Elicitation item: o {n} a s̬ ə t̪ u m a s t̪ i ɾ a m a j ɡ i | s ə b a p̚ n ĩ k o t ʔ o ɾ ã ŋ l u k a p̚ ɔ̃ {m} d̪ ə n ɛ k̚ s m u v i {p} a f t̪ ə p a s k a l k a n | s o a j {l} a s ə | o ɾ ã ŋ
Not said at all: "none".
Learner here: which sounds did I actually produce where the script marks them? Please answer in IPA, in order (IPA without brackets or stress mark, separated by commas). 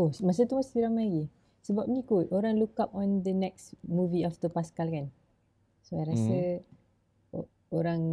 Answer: m, n, none, ɾ